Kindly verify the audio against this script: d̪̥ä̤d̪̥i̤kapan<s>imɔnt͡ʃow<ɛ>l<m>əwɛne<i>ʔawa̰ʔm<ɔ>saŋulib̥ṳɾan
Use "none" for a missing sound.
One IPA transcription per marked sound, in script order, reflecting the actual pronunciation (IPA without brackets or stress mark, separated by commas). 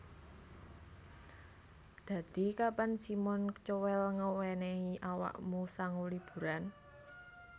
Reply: s, ɛ, ŋ, i, u